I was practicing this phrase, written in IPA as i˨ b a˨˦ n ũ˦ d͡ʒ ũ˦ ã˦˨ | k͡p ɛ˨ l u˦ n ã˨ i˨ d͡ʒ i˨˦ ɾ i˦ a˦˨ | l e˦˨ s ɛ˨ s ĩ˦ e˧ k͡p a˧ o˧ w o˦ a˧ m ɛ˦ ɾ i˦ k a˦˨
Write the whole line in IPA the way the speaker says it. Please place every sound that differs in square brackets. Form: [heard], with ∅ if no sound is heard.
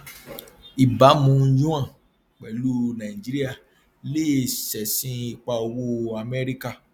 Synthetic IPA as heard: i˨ b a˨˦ [m] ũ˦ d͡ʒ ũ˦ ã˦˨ | k͡p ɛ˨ l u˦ n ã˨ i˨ d͡ʒ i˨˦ ɾ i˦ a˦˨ | l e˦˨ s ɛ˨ s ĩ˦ [i˧] k͡p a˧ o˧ w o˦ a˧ m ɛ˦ ɾ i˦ k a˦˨